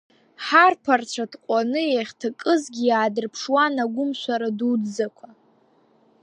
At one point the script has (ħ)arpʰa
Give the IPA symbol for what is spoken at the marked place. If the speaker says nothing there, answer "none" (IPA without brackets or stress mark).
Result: ħ